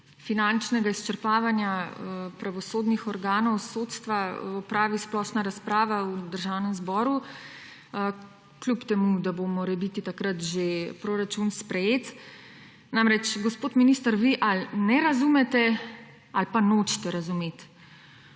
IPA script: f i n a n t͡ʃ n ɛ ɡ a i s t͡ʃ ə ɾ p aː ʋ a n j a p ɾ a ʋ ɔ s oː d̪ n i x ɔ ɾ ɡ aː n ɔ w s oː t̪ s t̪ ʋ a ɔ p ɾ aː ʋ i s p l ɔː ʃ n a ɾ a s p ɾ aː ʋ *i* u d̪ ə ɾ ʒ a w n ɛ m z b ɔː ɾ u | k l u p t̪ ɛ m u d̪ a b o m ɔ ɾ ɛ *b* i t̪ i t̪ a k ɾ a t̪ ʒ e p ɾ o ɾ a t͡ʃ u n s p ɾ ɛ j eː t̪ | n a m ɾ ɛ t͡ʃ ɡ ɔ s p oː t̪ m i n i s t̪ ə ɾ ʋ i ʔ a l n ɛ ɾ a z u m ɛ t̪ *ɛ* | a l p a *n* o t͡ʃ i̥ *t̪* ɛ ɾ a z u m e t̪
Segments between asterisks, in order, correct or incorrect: incorrect, correct, correct, correct, correct

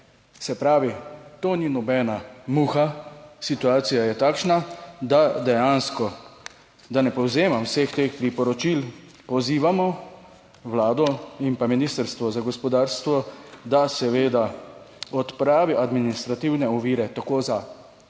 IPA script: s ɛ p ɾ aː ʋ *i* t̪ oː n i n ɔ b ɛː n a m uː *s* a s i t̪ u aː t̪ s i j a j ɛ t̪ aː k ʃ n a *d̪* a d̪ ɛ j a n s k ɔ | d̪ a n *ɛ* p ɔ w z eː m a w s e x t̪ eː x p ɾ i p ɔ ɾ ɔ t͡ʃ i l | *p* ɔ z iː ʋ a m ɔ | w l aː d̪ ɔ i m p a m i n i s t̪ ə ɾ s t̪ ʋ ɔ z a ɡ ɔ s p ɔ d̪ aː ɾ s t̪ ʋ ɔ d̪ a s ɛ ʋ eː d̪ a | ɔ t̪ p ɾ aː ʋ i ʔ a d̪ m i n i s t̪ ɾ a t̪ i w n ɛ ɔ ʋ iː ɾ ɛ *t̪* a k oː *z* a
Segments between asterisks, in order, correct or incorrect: correct, incorrect, correct, correct, correct, correct, correct

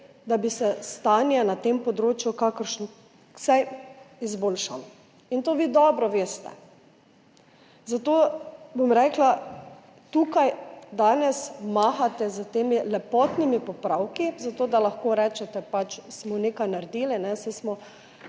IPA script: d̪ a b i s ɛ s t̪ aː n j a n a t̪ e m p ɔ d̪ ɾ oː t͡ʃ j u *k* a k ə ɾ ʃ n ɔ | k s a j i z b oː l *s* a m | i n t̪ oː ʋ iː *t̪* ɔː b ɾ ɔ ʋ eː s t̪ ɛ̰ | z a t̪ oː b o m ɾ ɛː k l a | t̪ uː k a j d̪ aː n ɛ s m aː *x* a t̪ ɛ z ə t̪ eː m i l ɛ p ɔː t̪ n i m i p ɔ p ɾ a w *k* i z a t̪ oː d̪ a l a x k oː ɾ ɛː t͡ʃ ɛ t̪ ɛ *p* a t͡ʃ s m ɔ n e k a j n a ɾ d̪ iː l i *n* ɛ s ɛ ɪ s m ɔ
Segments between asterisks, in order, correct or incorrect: correct, incorrect, incorrect, correct, correct, correct, correct

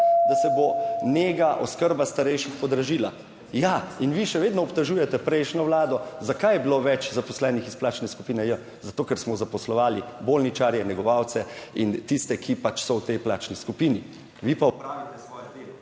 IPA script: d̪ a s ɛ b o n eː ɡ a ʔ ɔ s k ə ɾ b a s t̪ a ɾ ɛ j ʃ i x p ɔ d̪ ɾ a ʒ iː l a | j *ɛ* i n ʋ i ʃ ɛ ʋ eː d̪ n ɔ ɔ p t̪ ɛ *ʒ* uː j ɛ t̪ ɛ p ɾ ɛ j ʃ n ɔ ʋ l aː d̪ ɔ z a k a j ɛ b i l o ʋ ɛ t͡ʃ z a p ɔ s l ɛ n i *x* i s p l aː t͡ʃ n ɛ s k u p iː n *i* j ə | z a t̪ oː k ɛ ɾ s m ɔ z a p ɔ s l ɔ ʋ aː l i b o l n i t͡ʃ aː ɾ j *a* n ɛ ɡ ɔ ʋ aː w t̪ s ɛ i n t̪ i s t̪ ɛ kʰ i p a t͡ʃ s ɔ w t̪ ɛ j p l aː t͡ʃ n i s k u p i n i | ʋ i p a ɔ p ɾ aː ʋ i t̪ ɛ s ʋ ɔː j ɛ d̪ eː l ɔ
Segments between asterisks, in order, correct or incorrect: incorrect, correct, correct, incorrect, incorrect

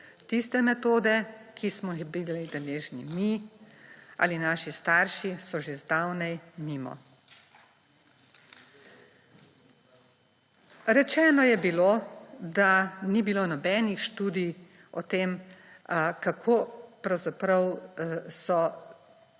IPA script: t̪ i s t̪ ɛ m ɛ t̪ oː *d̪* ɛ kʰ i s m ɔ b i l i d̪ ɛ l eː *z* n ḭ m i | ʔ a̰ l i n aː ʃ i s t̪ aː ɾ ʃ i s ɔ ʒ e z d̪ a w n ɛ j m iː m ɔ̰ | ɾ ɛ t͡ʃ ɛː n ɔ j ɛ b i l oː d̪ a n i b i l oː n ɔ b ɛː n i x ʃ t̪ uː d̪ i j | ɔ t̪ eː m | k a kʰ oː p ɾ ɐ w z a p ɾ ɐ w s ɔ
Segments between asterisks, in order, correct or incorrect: correct, incorrect

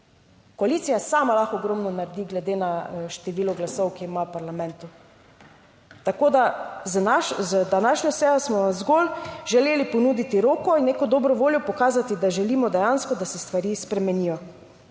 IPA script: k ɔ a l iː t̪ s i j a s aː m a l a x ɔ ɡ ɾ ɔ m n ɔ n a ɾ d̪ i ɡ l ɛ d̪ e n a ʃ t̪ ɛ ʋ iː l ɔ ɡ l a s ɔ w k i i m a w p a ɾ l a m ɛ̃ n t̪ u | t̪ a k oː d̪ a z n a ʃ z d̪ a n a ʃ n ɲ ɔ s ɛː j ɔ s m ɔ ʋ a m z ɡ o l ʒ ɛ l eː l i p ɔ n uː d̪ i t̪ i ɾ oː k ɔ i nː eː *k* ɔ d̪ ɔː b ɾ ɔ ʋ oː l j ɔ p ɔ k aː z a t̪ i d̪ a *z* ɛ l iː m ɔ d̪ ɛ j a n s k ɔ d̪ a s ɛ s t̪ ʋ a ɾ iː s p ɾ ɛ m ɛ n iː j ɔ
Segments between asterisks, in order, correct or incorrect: correct, incorrect

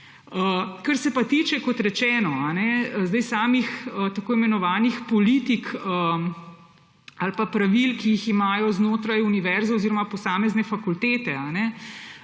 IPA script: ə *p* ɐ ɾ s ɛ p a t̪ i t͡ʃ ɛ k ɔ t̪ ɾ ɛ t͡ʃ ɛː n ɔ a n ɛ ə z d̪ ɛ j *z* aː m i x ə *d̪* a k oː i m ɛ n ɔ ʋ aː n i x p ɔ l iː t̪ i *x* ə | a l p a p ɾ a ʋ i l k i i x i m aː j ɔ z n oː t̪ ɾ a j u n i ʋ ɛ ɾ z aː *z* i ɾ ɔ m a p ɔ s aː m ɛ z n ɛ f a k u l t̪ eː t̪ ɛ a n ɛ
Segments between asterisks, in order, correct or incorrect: incorrect, incorrect, incorrect, incorrect, correct

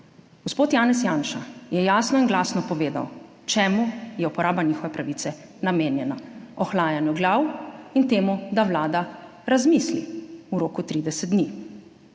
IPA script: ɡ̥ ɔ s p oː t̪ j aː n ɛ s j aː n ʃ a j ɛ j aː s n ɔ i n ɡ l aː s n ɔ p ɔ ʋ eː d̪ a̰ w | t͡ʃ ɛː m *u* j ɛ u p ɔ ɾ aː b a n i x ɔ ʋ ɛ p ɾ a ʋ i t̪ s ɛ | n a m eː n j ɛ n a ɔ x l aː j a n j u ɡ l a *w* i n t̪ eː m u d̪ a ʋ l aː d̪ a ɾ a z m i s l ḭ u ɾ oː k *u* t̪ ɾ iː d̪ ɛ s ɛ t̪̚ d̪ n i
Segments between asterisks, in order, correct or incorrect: correct, correct, correct

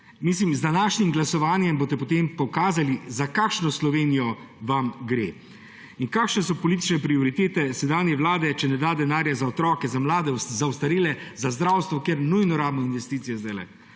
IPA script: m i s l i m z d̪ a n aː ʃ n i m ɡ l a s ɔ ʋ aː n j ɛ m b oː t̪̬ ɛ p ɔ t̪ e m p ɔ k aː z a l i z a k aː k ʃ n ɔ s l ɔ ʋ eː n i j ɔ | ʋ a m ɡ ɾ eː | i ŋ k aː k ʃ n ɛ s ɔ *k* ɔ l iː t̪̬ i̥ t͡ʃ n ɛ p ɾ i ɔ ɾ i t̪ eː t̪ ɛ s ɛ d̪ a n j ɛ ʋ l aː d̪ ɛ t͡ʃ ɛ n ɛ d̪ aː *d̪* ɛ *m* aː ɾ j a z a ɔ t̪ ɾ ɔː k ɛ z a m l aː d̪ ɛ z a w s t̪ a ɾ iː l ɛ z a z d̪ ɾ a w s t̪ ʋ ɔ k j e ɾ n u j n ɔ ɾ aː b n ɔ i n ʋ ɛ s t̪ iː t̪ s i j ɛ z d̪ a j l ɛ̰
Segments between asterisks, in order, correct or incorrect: incorrect, correct, incorrect

